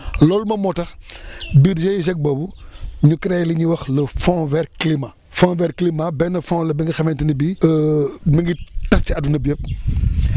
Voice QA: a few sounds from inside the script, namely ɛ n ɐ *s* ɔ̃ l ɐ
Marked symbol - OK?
no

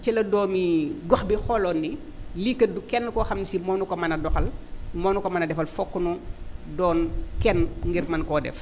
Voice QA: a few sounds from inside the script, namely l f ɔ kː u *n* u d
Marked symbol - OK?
yes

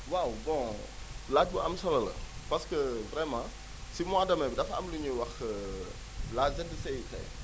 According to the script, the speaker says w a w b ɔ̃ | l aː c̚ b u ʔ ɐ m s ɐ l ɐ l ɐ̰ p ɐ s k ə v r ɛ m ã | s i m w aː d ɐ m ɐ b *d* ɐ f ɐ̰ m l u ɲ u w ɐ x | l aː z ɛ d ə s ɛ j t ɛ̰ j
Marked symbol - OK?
yes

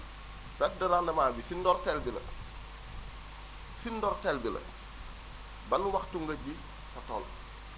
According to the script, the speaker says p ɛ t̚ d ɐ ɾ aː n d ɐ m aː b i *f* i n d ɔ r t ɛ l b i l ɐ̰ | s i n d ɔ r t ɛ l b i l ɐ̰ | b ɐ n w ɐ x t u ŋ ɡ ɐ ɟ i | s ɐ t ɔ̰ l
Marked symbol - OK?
no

